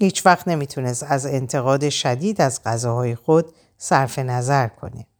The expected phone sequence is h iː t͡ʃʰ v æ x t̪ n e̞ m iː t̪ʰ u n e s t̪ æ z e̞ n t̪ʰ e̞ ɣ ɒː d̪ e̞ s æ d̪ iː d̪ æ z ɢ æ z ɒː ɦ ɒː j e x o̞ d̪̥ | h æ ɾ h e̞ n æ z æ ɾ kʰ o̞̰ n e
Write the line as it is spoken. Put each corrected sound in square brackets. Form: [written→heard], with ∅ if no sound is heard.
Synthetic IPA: h iː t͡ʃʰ v æ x t̪ n e̞ m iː t̪ʰ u n e s t̪ æ z e̞ n t̪ʰ e̞ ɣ ɒː d̪ e̞ [s→ʃ] æ d̪ iː d̪ æ z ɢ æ z ɒː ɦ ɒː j e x o̞ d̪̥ | [h→s] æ ɾ [h→f] e̞ n æ z æ ɾ kʰ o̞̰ n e